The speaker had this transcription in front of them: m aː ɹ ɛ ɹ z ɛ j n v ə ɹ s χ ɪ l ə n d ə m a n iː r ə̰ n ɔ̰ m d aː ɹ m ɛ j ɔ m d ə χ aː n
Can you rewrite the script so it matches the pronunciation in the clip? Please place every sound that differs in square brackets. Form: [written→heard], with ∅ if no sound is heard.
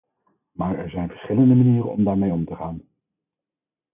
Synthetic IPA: m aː ɹ ɛ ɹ z ɛ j n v ə ɹ s χ ɪ l ə n d ə m a n iː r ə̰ n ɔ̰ m d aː ɹ m [ɛ→e] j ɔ m [d→t] ə χ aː n